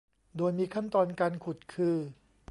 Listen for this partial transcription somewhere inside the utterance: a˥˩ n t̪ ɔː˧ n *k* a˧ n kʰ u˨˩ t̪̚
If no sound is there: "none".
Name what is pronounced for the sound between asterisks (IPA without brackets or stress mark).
k